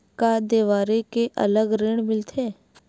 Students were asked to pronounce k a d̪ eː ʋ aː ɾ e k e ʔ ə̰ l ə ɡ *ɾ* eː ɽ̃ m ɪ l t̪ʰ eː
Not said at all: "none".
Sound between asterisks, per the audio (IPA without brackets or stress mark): ɾ